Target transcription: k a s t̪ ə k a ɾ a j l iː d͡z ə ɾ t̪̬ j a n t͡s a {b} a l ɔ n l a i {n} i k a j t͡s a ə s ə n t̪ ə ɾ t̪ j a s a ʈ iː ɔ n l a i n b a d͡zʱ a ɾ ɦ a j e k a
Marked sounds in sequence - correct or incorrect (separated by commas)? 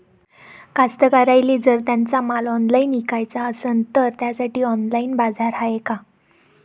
incorrect, correct